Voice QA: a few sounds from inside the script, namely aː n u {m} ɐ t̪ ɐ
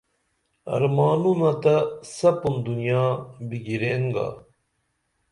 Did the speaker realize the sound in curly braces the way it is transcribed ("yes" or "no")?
no